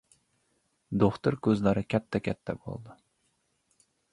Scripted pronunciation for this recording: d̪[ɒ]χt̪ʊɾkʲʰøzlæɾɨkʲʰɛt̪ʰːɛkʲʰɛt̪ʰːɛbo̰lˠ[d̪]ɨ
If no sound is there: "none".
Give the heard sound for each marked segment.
o, d̪

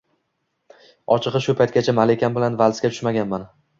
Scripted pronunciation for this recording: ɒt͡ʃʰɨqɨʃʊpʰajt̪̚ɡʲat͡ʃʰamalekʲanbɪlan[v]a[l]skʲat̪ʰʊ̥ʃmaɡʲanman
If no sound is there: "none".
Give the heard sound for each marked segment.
v, l

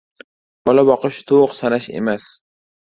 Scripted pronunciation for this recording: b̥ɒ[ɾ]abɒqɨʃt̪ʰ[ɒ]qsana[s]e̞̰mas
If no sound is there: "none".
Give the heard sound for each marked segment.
l, o, ʃ

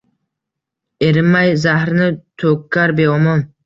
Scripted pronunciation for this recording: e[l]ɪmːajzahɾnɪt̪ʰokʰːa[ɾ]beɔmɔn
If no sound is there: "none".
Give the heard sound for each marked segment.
ɾ, ɾ

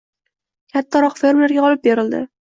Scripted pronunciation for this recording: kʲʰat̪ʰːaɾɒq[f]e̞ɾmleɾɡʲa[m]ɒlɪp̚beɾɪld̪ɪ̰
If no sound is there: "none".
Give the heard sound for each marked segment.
f, none

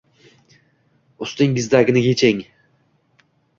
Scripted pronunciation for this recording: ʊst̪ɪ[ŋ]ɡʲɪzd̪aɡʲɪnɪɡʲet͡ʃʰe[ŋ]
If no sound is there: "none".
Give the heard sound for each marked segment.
ŋ, ŋ

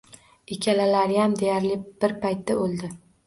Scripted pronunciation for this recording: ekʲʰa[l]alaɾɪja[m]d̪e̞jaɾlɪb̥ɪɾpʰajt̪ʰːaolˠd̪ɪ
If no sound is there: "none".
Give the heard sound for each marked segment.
l, m

